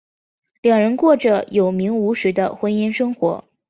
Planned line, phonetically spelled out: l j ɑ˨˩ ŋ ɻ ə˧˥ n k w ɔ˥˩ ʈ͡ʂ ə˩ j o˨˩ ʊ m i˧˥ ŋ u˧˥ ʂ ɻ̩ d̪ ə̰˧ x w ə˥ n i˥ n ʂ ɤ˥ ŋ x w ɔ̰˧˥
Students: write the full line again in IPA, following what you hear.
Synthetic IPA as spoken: l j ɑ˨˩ ŋ ɻ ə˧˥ n k w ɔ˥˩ ʈ͡ʂ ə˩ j o˨˩ ʊ m i˧˥ ŋ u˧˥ ʂ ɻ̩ d̪ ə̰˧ x w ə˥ n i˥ n ʂ ɤ˥ ŋ x w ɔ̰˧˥